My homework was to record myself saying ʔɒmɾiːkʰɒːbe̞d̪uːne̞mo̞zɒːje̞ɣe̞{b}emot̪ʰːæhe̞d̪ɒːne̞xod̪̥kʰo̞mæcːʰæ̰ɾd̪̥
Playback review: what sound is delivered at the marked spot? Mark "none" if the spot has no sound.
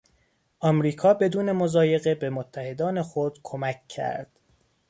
b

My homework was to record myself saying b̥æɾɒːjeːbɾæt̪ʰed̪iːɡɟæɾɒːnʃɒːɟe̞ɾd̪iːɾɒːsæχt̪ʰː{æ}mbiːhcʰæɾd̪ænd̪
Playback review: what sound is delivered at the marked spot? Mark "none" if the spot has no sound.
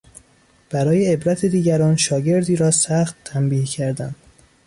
æ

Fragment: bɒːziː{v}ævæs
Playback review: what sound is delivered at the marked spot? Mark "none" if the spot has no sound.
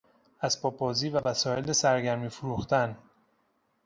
v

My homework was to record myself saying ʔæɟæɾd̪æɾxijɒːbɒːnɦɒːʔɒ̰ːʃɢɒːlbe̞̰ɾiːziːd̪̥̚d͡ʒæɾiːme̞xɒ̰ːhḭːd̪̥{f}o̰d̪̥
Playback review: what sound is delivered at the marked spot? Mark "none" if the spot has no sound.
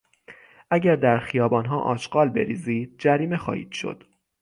ʃ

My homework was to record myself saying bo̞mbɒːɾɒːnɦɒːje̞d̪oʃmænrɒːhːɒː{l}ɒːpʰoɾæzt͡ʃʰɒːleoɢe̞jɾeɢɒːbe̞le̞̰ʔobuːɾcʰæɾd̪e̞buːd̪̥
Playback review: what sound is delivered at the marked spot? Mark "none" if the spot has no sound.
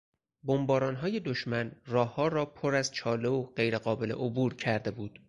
ɾ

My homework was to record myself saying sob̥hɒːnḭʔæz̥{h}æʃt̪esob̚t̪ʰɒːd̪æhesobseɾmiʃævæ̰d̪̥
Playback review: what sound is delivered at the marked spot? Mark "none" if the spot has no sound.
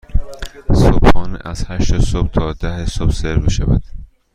h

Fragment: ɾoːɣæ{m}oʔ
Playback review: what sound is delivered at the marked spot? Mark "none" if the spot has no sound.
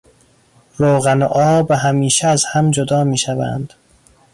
n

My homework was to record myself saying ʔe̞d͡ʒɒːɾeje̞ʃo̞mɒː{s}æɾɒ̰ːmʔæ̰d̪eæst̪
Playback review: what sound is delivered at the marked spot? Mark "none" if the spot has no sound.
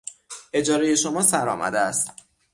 s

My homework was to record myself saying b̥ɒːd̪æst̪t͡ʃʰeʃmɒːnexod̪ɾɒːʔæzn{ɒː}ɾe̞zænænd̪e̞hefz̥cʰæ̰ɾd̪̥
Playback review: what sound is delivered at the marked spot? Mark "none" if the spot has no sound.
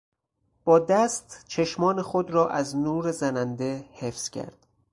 uː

